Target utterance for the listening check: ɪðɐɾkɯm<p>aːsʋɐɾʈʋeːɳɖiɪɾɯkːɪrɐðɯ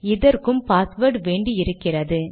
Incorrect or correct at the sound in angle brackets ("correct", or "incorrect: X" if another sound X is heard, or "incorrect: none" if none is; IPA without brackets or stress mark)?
correct